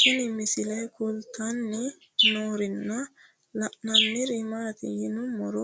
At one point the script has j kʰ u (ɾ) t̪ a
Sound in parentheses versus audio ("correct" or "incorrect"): incorrect